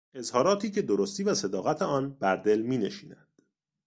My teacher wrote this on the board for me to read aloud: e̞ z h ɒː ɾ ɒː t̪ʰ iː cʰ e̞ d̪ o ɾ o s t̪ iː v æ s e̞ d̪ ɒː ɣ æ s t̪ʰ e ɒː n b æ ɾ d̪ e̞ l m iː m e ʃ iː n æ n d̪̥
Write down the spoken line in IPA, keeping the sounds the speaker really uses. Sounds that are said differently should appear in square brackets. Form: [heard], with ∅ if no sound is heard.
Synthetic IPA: e̞ z h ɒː ɾ ɒː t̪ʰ iː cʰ e̞ d̪ o ɾ o s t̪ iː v æ s e̞ d̪ ɒː ɣ æ [∅] t̪ʰ e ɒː n b æ ɾ d̪ e̞ l m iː [n] e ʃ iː n æ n d̪̥